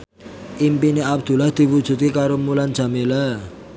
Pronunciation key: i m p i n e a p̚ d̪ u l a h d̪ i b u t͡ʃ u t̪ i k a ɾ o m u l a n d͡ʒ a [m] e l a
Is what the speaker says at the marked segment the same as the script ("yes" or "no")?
yes